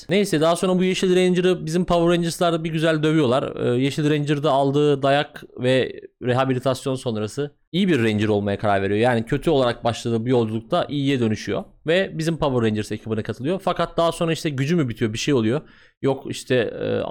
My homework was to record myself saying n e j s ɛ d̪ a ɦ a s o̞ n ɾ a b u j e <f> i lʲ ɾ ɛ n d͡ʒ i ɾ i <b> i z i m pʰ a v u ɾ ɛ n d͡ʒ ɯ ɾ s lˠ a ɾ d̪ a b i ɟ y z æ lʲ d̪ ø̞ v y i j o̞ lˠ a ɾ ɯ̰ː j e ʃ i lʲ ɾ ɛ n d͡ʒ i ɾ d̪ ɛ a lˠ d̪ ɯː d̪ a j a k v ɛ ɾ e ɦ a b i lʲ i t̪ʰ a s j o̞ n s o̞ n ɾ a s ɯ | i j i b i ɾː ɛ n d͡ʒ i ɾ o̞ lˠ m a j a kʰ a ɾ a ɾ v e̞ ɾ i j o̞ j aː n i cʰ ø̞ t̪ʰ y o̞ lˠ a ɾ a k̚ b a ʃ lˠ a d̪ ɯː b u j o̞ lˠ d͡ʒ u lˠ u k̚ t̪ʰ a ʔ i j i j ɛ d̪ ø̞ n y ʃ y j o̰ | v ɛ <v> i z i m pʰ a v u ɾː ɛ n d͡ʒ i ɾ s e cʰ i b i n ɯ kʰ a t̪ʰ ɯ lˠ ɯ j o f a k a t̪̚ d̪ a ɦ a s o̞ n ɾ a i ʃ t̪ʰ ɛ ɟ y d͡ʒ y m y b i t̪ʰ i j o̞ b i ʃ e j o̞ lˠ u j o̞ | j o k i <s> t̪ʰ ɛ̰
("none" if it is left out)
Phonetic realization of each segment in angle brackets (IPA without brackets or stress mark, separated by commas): ʃ, b, b, ʃ